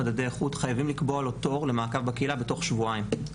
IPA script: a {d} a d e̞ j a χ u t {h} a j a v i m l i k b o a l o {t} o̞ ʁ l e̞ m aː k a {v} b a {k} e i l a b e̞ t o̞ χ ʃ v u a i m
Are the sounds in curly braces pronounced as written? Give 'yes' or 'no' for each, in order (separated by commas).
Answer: yes, no, yes, yes, yes